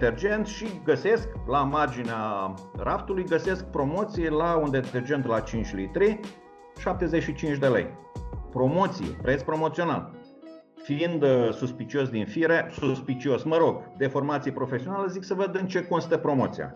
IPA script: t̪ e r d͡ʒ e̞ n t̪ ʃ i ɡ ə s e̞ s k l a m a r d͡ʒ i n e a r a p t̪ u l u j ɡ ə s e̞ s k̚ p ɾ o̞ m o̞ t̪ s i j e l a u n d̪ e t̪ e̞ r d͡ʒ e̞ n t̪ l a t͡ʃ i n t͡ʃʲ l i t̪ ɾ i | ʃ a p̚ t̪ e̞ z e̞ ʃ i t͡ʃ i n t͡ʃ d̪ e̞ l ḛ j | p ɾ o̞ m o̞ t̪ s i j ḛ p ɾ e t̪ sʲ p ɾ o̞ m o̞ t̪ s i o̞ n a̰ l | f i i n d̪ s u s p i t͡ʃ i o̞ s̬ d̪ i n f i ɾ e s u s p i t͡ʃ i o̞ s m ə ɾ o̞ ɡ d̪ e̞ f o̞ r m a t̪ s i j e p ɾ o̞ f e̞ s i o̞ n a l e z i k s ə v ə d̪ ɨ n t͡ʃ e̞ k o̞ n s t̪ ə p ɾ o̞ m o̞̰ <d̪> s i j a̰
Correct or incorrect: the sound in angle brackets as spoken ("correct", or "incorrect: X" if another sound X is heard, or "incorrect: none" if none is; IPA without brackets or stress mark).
incorrect: t̪